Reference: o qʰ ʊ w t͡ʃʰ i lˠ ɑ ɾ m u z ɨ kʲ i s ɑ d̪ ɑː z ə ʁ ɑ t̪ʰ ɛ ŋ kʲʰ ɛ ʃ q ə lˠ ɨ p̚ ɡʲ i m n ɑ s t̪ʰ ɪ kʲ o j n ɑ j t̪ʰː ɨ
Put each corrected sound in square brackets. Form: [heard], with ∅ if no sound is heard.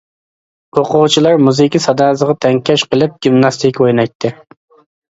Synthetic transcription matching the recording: o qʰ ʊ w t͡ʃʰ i lˠ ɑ ɾ m u z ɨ kʲ i s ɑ d̪ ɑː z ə ʁ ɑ t̪ʰ ɛ ŋ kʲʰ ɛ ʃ q ə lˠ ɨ p̚ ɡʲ i m n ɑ s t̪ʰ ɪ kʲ o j n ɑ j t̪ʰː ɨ